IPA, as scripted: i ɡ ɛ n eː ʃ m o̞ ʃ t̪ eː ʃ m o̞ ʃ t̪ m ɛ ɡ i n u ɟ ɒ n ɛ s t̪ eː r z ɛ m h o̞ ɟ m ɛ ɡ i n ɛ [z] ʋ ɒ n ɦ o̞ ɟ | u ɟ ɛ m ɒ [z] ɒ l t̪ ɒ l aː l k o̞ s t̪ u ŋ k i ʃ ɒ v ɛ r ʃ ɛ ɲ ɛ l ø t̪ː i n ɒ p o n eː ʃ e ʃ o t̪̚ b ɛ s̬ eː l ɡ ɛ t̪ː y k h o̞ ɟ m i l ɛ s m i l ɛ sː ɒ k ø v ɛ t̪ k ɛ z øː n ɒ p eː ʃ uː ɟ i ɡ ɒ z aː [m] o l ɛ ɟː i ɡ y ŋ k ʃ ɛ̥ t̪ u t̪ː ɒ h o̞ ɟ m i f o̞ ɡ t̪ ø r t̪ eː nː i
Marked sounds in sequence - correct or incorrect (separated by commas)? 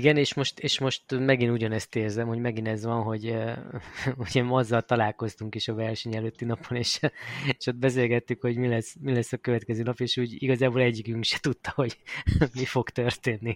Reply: correct, incorrect, incorrect